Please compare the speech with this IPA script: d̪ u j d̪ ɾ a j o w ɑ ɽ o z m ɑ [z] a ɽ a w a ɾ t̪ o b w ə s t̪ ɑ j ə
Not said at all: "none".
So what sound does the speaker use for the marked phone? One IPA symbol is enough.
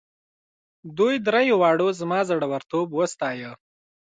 z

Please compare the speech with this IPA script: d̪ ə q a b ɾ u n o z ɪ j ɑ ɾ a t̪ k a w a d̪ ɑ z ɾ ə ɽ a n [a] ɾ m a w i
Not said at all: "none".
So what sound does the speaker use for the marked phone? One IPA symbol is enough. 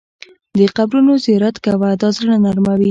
a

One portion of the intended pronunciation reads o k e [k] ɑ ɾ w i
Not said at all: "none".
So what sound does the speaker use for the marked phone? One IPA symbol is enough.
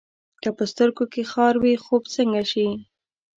x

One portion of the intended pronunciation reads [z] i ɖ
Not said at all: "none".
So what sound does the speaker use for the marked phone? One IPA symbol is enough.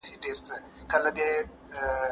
s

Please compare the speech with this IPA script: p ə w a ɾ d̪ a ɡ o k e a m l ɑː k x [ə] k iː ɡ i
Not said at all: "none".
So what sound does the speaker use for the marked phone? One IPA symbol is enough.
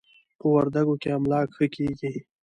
ə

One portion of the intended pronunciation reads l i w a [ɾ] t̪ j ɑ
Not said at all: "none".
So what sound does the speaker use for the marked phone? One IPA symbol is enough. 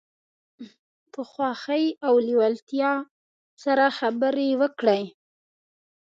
l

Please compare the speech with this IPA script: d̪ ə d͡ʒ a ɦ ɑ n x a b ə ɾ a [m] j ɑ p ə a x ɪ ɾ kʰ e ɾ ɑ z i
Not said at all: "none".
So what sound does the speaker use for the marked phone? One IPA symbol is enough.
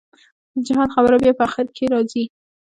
b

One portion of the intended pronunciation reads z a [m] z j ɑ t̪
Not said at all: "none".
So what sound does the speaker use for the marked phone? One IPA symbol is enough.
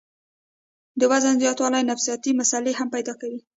n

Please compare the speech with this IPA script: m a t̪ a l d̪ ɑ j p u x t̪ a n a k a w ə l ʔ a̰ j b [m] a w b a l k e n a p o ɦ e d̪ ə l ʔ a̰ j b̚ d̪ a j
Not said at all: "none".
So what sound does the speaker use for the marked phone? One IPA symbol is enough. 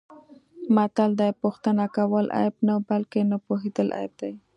n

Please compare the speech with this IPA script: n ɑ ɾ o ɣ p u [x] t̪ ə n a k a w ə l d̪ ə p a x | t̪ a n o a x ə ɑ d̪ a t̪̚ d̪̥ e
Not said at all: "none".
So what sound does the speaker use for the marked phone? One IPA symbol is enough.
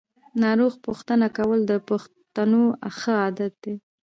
x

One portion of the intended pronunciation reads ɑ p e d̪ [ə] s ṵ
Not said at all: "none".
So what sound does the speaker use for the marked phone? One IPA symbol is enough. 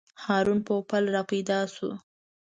ɑ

